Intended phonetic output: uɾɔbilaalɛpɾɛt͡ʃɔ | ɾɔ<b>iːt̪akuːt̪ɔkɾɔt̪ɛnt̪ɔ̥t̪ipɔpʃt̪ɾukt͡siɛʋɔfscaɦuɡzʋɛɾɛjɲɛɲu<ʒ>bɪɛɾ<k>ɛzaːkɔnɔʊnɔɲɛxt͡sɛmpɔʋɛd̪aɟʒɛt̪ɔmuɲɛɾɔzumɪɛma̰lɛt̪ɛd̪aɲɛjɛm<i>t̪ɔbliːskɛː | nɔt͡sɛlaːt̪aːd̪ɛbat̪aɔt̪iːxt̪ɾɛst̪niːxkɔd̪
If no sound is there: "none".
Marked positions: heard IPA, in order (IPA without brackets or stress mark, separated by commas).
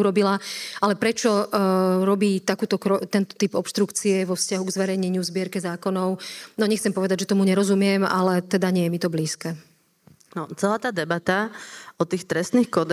b, z, k, i